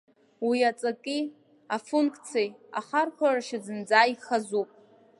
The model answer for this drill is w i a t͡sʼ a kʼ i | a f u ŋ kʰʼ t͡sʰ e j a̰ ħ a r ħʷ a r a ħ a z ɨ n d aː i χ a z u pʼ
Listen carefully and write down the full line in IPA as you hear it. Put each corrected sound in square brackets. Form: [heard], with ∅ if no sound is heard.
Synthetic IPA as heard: w i a t͡sʼ a kʼ i | a f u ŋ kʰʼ t͡sʰ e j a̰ [χ] a r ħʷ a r a [ʃ] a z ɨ n [d͡z] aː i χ a z u pʼ